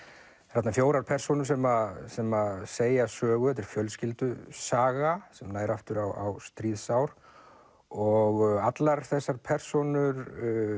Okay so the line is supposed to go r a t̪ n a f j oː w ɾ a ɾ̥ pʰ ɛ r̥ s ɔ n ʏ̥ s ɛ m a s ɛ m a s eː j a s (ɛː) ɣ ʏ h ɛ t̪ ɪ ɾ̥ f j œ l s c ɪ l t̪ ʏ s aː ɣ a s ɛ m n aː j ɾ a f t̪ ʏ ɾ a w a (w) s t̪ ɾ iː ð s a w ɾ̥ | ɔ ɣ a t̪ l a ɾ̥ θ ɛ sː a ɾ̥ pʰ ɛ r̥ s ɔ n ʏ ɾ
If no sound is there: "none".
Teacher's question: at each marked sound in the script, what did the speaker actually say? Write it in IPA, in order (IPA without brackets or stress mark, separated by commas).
œː, w